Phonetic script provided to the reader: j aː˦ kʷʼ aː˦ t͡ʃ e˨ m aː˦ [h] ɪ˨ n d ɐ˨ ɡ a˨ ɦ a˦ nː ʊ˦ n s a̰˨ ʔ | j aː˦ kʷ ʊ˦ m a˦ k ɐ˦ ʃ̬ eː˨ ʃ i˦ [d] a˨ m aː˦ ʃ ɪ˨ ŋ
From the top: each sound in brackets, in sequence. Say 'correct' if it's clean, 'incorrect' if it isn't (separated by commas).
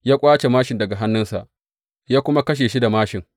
incorrect, correct